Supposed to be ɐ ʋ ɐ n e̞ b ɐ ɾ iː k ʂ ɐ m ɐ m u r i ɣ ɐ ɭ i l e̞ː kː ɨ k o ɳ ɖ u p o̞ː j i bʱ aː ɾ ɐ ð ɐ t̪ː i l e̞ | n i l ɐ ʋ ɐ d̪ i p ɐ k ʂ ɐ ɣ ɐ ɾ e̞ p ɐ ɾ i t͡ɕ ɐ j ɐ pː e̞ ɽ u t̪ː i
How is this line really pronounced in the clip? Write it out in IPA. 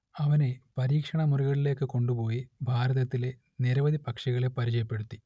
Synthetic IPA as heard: ɐ ʋ ɐ n e̞ p ɐ ɾ iː k ʂ ɐ ɳ ɐ m u r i ɣ ɐ ɭ i l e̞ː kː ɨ k o ɳ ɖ u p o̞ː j i bʱ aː ɾ ɐ ð ɐ t̪ː i l e̞ | n i ɾ ɐ ʋ ɐ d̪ i p ɐ k ʂ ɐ ɣ ɐ ɭ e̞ p ɐ ɾ i t͡ɕ ɐ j ɐ pː e̞ ɽ u t̪ː i

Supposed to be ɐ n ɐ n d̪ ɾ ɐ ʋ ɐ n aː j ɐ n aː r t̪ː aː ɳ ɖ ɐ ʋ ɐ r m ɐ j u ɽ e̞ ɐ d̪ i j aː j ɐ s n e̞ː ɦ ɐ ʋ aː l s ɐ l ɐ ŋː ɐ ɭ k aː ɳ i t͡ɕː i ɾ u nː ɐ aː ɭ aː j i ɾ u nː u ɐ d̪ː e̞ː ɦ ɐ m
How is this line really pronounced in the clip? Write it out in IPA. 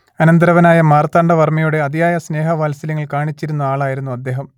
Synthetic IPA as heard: ɐ n ɐ n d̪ ɾ ɐ ʋ ɐ n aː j ɐ m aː r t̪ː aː ɳ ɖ ɐ ʋ ɐ r m ɐ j u ɽ e̞ ɐ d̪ i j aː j ɐ s n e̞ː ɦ ɐ ʋ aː l s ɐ l ɐ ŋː ɐ ɭ k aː ɳ i t͡ɕː i ɾ u nː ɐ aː ɭ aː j i ɾ u nː u ɐ d̪ː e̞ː ɦ ɐ m

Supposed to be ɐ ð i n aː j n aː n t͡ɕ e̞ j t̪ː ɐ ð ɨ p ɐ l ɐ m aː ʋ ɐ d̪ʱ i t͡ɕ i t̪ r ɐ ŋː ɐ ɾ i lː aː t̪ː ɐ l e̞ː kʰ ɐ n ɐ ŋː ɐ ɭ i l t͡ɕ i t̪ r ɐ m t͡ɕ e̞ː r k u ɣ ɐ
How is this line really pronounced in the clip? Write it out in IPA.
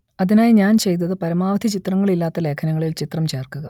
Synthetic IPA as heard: ɐ ð i n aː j ɲ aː n t͡ɕ e̞ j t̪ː ɐ ð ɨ p ɐ ɾ ɐ m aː ʋ ɐ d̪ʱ i t͡ɕ i t̪ r ɐ ŋː ɐ ɭ i lː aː t̪ː ɐ l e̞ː kʰ ɐ n ɐ ŋː ɐ ɭ i l t͡ɕ i t̪ r ɐ m t͡ɕ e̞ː r k u ɣ ɐ

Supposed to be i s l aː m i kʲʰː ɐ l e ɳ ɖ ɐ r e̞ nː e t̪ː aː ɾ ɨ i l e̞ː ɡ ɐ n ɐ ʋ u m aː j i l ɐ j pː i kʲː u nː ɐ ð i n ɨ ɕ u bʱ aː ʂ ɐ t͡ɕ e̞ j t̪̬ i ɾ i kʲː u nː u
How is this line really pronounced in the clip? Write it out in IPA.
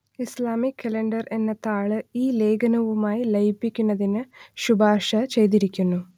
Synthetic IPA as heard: i s l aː m i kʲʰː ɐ l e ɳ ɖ ɐ r e̞ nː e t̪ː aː ɭ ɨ iː l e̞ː ɡ ɐ n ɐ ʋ u m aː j i l ɐ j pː i kʲː u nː ɐ ð i n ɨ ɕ u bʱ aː ʂ ɐ t͡ɕ e̞ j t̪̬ i ɾ i kʲː u nː u

